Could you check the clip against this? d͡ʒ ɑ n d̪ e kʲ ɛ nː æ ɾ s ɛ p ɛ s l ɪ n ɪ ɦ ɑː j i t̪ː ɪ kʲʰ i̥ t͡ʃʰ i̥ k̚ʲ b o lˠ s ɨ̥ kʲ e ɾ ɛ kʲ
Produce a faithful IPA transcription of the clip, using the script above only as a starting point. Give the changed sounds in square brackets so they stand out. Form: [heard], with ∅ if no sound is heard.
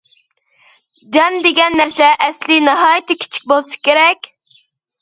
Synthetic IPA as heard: d͡ʒ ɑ n d̪ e [ɡʲ] ɛ nː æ ɾ s ɛ [ʔ] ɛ s l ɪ n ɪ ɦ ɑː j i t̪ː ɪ kʲʰ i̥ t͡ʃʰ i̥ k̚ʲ b o lˠ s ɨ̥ kʲ e ɾ ɛ kʲ